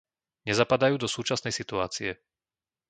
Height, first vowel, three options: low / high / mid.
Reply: mid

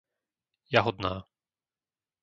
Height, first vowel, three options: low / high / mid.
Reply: low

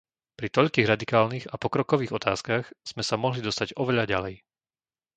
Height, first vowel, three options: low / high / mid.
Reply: high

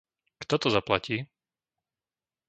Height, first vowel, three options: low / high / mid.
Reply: mid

